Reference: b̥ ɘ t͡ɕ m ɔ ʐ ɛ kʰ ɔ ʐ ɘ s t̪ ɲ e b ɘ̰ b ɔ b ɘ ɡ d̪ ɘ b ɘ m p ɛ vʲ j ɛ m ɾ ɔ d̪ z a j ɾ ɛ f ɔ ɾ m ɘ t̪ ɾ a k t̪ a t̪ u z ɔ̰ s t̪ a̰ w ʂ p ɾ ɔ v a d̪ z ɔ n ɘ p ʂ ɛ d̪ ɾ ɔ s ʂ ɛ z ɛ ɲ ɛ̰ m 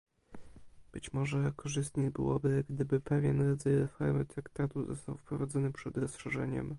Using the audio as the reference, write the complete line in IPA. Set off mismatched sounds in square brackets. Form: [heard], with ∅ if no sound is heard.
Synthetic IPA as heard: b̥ ɘ t͡ɕ m ɔ ʐ ɛ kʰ ɔ ʐ ɘ s t̪ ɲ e b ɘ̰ [w] ɔ b ɘ ɡ d̪ ɘ b ɘ [∅] p ɛ vʲ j ɛ [n] ɾ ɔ d̪ z a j ɾ ɛ f ɔ ɾ m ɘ t̪ ɾ a k t̪ a t̪ u z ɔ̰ s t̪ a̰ w [f] p ɾ ɔ v a d̪ z ɔ n ɘ p ʂ ɛ d̪ ɾ ɔ s ʂ ɛ [ʐ] ɛ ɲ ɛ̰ m